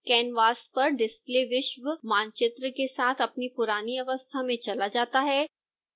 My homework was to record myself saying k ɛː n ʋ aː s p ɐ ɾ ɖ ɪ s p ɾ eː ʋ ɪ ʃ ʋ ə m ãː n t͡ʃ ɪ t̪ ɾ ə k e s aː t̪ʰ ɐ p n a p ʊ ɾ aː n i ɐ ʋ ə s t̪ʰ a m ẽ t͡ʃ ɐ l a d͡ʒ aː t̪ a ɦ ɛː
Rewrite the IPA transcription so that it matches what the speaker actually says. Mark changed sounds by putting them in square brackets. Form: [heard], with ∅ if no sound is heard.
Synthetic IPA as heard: k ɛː n ʋ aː s p ɐ ɾ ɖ ɪ s p [l] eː ʋ ɪ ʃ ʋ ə m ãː n t͡ʃ ɪ t̪ ɾ ə k e s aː t̪ʰ ɐ p n [i] p ʊ ɾ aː n i ɐ ʋ ə s t̪ʰ a m ẽ t͡ʃ ɐ l a d͡ʒ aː t̪ a ɦ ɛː